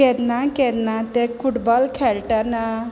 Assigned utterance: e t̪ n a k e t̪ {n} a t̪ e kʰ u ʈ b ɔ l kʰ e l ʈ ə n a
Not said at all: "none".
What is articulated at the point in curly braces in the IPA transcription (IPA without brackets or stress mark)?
n